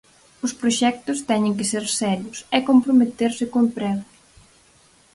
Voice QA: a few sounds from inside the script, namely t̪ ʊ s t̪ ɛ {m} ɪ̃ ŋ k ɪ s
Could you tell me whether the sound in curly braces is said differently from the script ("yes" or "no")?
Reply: yes